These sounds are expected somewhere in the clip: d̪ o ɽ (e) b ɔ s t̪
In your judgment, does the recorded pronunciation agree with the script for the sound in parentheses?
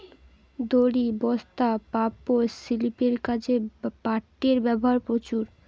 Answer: no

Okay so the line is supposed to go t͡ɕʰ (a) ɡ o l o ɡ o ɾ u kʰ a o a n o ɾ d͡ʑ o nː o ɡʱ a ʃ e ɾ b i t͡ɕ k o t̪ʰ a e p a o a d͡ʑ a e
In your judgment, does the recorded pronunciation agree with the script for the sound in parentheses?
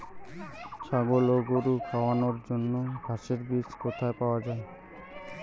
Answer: yes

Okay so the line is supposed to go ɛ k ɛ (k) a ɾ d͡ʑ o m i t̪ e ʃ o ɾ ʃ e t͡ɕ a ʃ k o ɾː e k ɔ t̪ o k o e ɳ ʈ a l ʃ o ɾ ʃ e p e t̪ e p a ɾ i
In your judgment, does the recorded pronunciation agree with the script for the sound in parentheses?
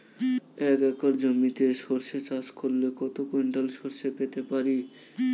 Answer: yes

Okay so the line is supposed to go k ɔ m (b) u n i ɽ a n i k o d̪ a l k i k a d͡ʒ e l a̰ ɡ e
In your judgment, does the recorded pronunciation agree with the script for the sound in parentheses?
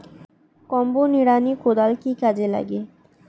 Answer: yes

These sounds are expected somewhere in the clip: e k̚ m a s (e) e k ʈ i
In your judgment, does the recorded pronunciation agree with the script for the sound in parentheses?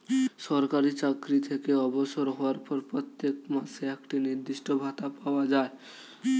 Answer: yes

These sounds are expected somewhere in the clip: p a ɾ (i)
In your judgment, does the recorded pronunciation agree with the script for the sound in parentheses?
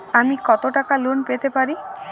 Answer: yes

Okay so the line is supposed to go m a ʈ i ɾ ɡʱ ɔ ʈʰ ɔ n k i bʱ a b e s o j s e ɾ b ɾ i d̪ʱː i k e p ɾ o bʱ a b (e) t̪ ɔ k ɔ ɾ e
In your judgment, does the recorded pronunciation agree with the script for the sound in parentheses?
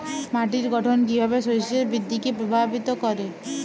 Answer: no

